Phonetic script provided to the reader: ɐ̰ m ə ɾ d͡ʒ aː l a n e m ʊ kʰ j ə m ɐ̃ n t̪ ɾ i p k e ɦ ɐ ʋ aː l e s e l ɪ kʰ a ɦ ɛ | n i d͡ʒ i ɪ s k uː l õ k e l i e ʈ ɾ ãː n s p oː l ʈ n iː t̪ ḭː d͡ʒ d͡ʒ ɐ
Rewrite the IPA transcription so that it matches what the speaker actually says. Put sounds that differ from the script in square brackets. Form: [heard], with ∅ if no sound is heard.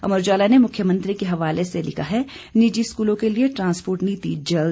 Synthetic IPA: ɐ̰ m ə ɾ d͡ʒ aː l a n e m ʊ kʰ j ə m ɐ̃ n t̪ ɾ i [∅] k e ɦ ɐ ʋ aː l e s e l ɪ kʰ a ɦ ɛ | n i d͡ʒ i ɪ s k uː l õ k e l i e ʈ ɾ ãː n s p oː [ɾ] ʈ n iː t̪ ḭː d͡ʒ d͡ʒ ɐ